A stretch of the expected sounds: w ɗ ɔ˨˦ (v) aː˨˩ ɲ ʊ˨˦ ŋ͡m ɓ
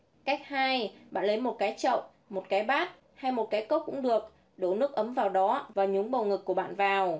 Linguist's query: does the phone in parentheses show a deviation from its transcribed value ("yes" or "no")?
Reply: no